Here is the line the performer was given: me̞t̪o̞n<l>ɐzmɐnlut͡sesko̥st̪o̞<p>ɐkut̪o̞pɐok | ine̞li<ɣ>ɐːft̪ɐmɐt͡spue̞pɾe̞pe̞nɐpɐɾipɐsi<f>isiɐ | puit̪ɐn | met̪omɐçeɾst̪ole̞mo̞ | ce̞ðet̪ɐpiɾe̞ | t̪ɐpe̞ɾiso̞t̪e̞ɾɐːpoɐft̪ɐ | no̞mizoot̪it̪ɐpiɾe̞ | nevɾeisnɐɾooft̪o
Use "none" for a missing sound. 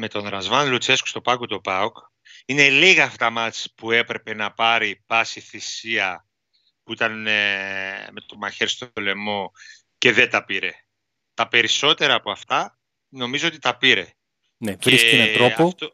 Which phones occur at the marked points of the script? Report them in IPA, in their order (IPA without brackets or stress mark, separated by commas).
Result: ɾ, p, ɣ, θ